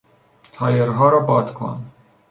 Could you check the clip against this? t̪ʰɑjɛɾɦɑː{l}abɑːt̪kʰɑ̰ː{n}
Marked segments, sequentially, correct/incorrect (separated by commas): incorrect, correct